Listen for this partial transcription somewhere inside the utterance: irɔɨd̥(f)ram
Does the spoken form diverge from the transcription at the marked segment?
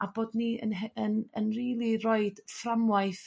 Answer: no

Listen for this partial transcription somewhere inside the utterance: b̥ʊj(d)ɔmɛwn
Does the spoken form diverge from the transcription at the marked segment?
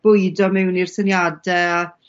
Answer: no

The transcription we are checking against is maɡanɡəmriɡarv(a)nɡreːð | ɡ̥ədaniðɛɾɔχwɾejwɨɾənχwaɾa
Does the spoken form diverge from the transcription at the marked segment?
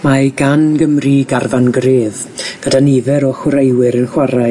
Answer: no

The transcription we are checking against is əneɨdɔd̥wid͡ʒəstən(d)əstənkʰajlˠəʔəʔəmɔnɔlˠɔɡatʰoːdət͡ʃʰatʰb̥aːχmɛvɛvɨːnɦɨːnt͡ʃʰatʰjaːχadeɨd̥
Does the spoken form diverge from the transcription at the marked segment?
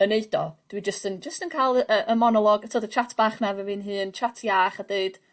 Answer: yes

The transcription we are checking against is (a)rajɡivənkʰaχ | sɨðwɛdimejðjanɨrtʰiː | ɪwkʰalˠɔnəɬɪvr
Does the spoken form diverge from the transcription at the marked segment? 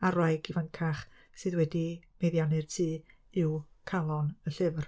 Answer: no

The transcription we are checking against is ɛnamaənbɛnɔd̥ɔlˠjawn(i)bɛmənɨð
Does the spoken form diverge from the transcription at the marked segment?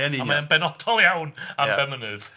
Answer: yes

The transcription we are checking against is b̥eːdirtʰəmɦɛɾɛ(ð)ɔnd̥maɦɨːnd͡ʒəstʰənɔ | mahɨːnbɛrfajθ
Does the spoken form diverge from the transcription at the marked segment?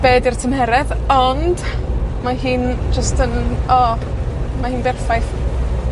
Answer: no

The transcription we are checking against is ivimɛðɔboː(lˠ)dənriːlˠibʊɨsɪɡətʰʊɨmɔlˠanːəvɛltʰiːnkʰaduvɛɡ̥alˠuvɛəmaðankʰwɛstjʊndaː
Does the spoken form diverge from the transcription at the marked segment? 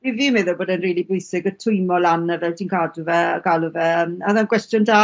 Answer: yes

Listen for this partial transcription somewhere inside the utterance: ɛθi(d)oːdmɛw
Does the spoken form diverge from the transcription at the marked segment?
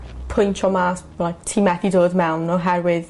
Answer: no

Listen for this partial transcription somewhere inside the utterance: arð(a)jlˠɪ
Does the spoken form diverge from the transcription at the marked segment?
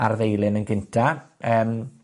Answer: yes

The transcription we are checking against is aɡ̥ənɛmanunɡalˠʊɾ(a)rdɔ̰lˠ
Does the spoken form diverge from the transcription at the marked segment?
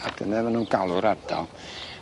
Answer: no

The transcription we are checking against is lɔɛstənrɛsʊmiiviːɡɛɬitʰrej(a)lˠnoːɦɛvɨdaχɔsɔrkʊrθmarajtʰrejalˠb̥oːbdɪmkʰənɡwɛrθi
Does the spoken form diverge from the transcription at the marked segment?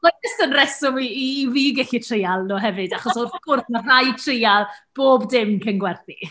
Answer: no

